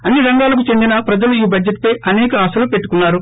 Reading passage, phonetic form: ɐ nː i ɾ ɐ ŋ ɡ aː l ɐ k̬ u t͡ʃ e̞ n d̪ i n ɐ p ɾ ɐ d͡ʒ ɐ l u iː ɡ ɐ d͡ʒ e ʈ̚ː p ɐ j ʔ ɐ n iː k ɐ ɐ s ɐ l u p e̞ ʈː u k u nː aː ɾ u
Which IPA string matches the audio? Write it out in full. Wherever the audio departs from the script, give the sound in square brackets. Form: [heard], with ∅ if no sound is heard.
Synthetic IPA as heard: ɐ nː i ɾ ɐ ŋ ɡ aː l ɐ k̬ u t͡ʃ e̞ n d̪ i n ɐ p ɾ ɐ d͡ʒ ɐ l u iː [b] ɐ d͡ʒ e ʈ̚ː p ɐ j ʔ ɐ n [ɛː] k ɐ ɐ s ɐ l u p e̞ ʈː u k u nː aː ɾ u